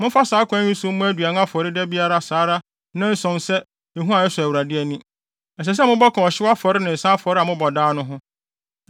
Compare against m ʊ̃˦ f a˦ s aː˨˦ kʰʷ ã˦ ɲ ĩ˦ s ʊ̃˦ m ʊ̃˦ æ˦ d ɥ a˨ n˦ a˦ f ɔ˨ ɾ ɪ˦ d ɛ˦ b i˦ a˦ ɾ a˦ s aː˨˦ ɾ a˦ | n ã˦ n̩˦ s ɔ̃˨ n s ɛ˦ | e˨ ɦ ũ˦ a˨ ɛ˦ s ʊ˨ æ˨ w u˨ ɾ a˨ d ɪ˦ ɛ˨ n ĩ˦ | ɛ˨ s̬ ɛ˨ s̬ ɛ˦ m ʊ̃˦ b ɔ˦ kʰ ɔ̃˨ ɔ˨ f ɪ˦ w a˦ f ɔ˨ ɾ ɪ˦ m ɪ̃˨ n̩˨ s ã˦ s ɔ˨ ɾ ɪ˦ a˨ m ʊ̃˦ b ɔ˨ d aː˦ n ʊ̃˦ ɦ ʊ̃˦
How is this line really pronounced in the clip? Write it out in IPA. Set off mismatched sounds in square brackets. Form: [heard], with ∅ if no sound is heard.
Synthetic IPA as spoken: m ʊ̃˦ f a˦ s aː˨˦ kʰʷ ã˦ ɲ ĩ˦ s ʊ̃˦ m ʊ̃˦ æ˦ d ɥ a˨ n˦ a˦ f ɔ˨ ɾ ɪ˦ d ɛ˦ b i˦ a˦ ɾ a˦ s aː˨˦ ɾ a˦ | n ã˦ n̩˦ s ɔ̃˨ n s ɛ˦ | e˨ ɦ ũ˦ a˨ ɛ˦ s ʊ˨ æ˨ w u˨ ɾ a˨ d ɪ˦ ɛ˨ n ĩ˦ | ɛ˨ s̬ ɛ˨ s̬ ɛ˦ m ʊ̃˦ b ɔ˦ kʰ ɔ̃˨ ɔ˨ [ɕ] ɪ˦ w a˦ f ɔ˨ ɾ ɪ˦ [n] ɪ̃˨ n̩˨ s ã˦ [f] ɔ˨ ɾ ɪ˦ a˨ m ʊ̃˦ b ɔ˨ d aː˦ n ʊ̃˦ ɦ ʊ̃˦